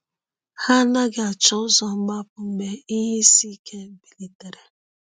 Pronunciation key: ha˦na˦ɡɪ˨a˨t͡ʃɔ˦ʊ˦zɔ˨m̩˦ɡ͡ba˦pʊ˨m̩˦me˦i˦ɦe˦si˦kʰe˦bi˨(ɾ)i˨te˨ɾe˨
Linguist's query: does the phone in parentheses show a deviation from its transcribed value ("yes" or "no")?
yes